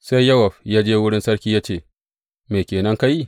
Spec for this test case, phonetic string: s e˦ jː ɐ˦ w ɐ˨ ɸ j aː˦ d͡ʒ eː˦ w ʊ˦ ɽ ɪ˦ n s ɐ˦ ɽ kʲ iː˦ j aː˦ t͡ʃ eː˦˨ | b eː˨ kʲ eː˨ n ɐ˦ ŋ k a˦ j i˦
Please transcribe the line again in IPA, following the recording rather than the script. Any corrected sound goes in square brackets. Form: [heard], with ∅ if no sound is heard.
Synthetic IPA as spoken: s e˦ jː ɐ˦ w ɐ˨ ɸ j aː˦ d͡ʒ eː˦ w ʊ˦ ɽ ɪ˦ n s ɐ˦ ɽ kʲ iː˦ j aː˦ t͡ʃ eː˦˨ | [m] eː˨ kʲ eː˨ n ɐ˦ ŋ k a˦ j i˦